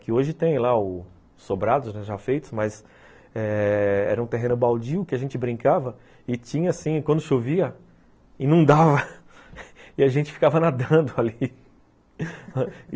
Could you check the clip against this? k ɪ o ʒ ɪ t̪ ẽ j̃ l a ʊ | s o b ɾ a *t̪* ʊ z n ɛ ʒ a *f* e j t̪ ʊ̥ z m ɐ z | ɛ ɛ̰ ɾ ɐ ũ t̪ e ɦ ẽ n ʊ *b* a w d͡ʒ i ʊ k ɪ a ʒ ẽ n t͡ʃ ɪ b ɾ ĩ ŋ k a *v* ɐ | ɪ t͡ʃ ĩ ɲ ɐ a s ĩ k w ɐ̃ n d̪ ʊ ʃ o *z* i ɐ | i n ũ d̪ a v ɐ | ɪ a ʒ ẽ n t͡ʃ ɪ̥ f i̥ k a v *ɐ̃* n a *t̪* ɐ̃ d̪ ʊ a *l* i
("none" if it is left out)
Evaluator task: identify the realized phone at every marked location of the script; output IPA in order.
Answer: d̪, f, b, v, v, ɐ, d̪, l

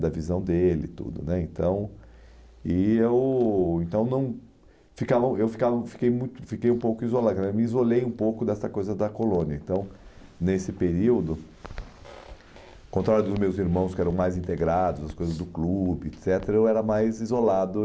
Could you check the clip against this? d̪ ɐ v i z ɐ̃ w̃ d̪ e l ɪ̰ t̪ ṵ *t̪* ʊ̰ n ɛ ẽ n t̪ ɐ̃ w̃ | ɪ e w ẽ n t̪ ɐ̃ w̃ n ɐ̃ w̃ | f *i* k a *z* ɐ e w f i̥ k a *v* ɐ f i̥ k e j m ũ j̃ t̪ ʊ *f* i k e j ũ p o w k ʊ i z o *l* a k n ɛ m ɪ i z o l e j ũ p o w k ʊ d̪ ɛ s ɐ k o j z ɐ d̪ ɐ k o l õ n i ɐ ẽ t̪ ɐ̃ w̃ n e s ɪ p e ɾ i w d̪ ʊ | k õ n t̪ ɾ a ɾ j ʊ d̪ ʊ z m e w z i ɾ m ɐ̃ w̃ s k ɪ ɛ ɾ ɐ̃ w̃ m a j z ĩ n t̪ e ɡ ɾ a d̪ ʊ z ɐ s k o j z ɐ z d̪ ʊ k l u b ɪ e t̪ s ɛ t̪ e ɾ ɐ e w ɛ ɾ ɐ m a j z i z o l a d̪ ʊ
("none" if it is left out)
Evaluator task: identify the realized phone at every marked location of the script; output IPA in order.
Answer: d̪, i, v, v, f, l

